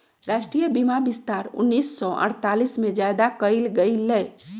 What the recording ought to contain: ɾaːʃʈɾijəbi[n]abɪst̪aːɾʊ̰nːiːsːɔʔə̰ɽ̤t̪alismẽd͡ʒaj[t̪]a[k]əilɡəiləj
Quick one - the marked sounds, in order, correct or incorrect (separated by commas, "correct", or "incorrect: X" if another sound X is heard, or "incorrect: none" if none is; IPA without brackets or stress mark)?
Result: incorrect: m, incorrect: d̪, correct